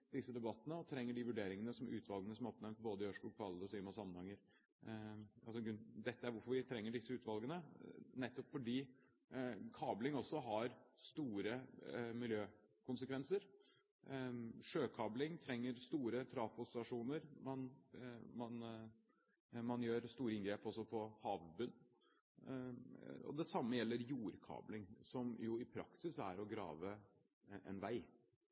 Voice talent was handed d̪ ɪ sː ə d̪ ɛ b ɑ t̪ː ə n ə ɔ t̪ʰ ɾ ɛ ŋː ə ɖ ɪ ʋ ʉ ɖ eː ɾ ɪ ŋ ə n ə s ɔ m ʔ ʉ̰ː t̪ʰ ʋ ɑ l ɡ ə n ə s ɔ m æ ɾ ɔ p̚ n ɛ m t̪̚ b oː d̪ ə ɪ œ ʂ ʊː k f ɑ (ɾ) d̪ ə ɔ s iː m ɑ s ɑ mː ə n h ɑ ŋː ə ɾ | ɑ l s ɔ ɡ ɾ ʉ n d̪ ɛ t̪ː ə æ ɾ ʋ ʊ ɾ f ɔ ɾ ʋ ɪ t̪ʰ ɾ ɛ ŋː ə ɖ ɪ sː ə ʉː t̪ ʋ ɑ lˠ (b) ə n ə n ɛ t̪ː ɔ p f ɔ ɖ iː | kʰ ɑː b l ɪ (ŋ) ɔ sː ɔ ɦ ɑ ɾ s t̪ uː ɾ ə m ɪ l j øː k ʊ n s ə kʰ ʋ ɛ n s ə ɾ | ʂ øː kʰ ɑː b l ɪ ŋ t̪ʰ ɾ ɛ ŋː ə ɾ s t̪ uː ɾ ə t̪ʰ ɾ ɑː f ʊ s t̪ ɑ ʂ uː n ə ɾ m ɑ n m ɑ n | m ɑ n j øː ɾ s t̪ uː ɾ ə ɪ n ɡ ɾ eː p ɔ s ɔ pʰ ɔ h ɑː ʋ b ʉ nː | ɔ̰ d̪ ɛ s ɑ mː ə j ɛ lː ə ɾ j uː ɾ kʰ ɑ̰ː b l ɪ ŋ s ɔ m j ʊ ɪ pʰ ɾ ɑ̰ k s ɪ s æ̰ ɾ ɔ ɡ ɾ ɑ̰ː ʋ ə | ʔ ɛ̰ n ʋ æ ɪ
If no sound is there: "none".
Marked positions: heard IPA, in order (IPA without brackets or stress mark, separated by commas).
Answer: l, ɡ, ŋ